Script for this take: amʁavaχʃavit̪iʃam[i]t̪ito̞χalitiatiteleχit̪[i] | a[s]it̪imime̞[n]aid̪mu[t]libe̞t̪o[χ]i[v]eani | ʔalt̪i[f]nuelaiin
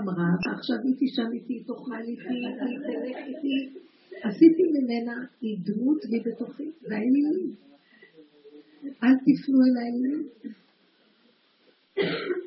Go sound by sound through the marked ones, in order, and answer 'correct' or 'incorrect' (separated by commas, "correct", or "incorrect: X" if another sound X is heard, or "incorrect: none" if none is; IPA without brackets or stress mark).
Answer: correct, correct, correct, correct, correct, correct, correct, correct